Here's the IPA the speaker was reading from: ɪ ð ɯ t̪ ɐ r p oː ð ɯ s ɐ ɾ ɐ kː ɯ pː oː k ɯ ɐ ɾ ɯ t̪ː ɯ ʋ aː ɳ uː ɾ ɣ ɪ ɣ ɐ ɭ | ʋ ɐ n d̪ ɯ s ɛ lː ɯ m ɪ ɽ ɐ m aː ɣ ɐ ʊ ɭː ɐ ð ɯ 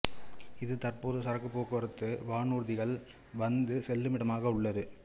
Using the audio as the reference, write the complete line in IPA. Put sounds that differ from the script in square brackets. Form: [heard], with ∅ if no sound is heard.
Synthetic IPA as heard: ɪ ð ɯ t̪ ɐ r p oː ð ɯ s ɐ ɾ ɐ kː ɯ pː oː k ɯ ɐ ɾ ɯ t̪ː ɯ ʋ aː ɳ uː ɾ [ð] ɪ ɣ ɐ ɭ | ʋ ɐ n d̪ ɯ s ɛ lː ɯ m ɪ ɽ ɐ m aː ɣ ɐ ʊ ɭː ɐ ð ɯ